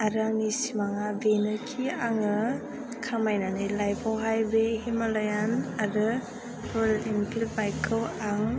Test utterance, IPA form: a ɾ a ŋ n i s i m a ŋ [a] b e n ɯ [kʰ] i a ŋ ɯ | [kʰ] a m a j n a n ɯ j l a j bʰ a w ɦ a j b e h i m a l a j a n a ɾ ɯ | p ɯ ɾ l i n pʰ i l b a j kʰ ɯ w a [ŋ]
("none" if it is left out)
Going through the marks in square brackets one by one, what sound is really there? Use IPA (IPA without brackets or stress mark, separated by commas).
a, kʰ, kʰ, ŋ